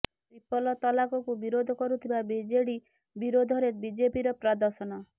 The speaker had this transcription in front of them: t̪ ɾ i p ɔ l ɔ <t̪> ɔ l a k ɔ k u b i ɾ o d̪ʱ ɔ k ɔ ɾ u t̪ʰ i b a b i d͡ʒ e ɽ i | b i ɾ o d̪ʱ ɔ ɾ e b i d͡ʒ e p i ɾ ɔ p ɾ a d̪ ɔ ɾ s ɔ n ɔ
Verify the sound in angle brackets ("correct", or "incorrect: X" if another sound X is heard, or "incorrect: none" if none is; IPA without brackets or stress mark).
correct